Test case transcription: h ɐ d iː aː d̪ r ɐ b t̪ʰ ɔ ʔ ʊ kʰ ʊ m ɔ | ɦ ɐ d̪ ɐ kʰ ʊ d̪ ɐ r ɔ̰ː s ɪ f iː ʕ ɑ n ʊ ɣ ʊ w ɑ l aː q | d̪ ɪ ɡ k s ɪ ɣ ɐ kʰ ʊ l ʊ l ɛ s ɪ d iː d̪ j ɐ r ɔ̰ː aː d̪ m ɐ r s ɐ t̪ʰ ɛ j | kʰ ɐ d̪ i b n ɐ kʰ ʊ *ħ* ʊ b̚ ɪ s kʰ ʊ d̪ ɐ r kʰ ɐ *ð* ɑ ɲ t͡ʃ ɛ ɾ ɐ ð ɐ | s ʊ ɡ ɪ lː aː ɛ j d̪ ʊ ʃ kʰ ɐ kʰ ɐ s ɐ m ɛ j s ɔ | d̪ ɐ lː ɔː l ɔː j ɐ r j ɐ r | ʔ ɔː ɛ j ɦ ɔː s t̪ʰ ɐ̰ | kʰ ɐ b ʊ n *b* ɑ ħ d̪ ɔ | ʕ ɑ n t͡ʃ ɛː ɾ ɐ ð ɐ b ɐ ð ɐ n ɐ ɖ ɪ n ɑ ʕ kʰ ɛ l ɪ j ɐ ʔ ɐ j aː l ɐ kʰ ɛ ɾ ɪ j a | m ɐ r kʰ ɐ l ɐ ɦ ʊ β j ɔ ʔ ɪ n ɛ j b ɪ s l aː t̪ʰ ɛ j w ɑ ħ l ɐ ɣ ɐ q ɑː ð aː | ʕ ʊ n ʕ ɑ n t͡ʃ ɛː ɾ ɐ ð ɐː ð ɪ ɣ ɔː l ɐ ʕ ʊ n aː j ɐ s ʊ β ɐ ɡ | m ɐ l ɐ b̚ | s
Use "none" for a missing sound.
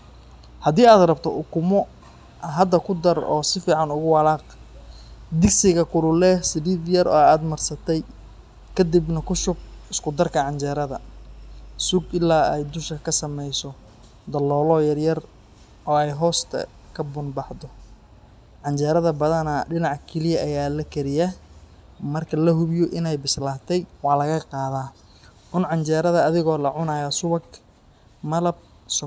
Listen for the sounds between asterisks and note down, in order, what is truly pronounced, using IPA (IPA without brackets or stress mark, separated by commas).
ʃ, ʕ, b